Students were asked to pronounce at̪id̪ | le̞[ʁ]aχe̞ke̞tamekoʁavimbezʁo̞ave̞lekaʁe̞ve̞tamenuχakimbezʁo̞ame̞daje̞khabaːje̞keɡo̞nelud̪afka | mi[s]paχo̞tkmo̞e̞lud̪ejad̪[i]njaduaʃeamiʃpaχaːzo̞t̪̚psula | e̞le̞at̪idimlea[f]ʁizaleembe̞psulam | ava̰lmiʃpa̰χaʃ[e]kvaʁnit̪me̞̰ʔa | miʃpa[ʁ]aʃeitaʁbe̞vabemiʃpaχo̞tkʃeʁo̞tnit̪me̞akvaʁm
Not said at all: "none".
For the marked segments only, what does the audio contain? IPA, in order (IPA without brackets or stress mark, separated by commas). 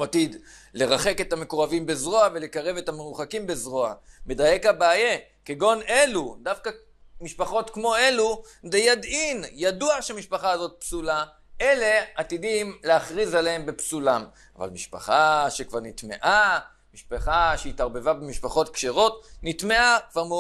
ʁ, ʃ, i, χ, e, χ